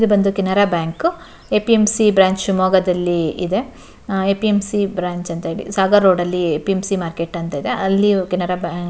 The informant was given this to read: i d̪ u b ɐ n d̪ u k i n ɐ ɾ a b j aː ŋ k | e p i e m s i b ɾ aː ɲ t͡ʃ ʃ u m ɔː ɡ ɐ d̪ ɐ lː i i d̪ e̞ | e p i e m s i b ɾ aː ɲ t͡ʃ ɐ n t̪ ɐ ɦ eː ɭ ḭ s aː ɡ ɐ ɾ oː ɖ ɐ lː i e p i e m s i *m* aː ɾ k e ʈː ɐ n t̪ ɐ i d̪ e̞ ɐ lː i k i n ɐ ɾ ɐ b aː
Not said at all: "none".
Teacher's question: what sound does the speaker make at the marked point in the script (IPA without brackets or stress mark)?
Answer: m